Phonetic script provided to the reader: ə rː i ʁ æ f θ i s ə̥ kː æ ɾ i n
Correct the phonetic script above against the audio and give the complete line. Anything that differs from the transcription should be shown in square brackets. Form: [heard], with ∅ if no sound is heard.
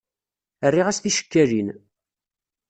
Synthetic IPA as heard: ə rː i ʁ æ [s] θ i [ʃ] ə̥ kː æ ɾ i n